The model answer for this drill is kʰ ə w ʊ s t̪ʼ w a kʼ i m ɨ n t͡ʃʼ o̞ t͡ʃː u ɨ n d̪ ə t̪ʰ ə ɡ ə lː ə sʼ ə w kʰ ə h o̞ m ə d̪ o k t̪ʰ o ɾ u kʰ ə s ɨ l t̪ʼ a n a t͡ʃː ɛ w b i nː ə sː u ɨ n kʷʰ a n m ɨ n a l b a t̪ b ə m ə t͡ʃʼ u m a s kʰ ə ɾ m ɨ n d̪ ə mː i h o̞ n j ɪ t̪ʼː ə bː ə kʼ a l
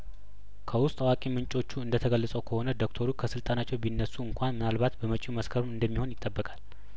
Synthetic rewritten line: kʰ ə w ʊ s t̪ʼ w a kʼ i m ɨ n t͡ʃʼ o̞ t͡ʃː u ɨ n d̪ ə t̪ʰ ə ɡ ə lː ə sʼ ə w kʰ ə h o̞ n ə d̪ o k t̪ʰ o ɾ u kʰ ə s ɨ l t̪ʼ a n a t͡ʃː ɛ w b i nː ə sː u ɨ ŋ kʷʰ a n m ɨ n a l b a t̪ b ə m ə t͡ʃʼ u m ə s kʰ ə ɾ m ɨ n d̪ ə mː i h o̞ n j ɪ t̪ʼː ə bː ə kʼ a l

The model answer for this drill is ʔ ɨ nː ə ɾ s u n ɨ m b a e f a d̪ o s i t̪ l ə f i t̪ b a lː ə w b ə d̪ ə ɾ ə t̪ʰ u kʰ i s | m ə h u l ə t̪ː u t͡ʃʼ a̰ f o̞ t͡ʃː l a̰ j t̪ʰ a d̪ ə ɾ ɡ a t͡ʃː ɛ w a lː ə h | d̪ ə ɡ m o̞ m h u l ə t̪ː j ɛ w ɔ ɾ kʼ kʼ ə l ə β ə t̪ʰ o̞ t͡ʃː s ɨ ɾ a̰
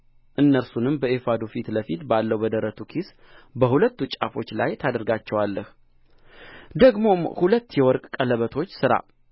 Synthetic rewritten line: ʔ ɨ nː ə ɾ s u n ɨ m b ə e f a d̪ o f i t̪ l ə f i t̪ b a lː ə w b ə d̪ ə ɾ ə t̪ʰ u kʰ i s | b ə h u l ə t̪ː u t͡ʃʼ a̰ f o̞ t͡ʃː l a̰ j t̪ʰ a d̪ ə ɾ ɡ a t͡ʃː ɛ w a lː ə h | d̪ ə ɡ m o̞ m h u l ə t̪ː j ɛ w ɔ ɾ kʼ kʼ ə l ə β ə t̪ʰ o̞ t͡ʃː s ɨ ɾ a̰

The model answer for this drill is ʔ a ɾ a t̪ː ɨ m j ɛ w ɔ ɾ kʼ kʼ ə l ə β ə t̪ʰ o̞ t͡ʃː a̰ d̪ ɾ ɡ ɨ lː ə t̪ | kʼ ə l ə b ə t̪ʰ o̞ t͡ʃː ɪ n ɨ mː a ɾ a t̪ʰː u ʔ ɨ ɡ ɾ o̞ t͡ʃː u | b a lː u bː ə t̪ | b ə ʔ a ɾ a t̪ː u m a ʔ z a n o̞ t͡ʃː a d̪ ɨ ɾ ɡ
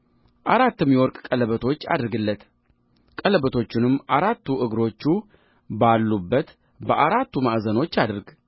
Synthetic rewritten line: ʔ a ɾ a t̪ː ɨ m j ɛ w ɔ ɾ kʼ kʼ ə l ə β ə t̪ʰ o̞ t͡ʃː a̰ d̪ ɾ ɡ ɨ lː ə t̪ | kʼ ə l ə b ə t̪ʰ o̞ t͡ʃː ɪ n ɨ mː a ɾ a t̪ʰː u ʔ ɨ ɡ ɾ o̞ t͡ʃː u | b a lː u bː ə t̪ | b ə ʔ a ɾ a t̪ː u m a ʔ z ə n o̞ t͡ʃː a d̪ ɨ ɾ ɡ

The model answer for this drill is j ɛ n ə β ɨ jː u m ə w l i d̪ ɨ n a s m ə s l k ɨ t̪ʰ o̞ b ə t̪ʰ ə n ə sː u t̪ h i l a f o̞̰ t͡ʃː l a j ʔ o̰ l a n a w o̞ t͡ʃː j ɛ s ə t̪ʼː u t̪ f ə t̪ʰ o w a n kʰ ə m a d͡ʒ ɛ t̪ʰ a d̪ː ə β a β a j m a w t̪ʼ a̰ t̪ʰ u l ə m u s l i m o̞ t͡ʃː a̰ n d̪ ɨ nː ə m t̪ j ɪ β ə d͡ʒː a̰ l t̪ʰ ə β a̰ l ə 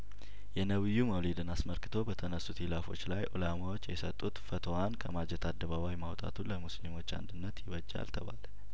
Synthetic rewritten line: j ɛ n ə β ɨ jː u m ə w l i d̪ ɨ n a s m ə l k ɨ t̪ʰ o̞ b ə t̪ʰ ə n ə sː u t̪ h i l a f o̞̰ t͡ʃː l a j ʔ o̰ l a m a w o̞ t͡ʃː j ɛ s ə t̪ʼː u t̪ f ə t̪ʰ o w a n kʰ ə m a d͡ʒ ɛ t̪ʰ a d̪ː ə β a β a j m a w t̪ʼ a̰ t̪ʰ u l ə m u s l i m o̞ t͡ʃː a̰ n d̪ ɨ nː ə t̪ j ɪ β ə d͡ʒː a̰ l t̪ʰ ə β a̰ l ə

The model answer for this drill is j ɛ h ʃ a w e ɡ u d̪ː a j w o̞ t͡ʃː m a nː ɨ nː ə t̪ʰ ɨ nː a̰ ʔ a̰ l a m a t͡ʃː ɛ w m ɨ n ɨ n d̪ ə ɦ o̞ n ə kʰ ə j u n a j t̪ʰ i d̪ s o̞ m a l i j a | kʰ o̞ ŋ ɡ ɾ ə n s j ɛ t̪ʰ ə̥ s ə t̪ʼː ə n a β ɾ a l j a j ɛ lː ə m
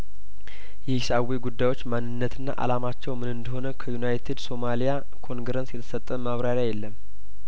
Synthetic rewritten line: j ɛ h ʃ a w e ɡ u d̪ː a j w o̞ t͡ʃː m a nː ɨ nː ə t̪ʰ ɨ nː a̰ ʔ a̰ l a m a t͡ʃː ɛ w m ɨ n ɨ n d̪ ə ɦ o̞ n ə kʰ ə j u n a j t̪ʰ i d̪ s o̞ m a l i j a | kʰ o̞ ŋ ɡ ɾ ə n s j ɛ t̪ʰ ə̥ s ə t̪ʼː ə m a β ɾ a ɾ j a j ɛ lː ə m

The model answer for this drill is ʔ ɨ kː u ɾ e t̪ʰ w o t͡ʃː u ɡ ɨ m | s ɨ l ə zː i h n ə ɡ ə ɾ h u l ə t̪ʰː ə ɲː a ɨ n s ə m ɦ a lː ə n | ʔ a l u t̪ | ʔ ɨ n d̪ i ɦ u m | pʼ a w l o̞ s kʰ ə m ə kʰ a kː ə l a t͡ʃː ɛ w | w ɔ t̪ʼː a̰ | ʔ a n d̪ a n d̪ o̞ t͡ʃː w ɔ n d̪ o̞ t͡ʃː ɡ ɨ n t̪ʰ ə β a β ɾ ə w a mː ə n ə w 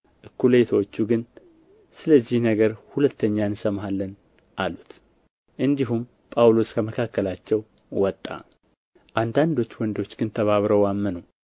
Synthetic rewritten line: ʔ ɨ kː u l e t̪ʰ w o t͡ʃː u ɡ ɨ n | s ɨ l ə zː i h n ə ɡ ə ɾ h u l ə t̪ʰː ə ɲː a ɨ n s ə m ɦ a lː ə n | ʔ a l u t̪ | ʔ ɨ n d̪ i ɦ u m | pʼ a w l o̞ s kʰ ə m ə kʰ a kː ə l a t͡ʃː ɛ w | w ɔ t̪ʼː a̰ | ʔ a n d̪ a n d̪ o̞ t͡ʃː w ɔ n d̪ o̞ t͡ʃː ɡ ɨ n t̪ʰ ə β a β ɾ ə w a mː ə n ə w

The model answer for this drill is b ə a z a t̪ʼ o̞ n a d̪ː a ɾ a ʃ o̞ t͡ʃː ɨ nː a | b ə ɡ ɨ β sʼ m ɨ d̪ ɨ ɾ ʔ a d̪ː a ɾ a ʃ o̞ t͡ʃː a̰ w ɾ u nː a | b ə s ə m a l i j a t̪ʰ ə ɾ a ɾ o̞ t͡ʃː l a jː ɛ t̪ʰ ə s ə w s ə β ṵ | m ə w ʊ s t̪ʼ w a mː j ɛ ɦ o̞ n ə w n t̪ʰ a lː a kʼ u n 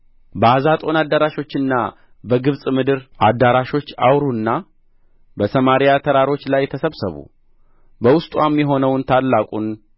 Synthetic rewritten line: b ə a z a t̪ʼ o̞ n a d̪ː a ɾ a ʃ o̞ t͡ʃː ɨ nː a | b ə ɡ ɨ β sʼ m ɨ d̪ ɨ ɾ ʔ a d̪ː a ɾ a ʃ o̞ t͡ʃː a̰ w ɾ u nː a | b ə s ə m a ɾ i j a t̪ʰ ə ɾ a ɾ o̞ t͡ʃː l a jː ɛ t̪ʰ ə s ə β s ə β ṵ | b ə w ʊ s t̪ʼ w a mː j ɛ ɦ o̞ n ə w n t̪ʰ a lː a kʼ u n

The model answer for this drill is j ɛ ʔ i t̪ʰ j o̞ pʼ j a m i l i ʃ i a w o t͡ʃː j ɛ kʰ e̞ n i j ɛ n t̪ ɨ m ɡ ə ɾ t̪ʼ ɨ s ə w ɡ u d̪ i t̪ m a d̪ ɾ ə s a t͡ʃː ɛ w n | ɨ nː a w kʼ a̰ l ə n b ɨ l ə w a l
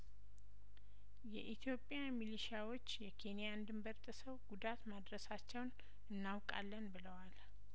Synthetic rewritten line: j ɛ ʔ i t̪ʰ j o̞ pʼ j a m i l i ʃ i a w o t͡ʃː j ɛ kʰ e̞ n i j a n d̪ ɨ m b ə ɾ t̪ʼ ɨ s ə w ɡ u d̪ a t̪ m a d̪ ɾ ə s a t͡ʃː ɛ w n | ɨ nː a w kʼ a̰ lː ə n b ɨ l ə w a l

